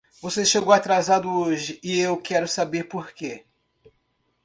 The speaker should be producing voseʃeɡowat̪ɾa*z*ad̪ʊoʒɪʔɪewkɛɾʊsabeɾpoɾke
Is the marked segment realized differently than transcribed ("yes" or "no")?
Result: no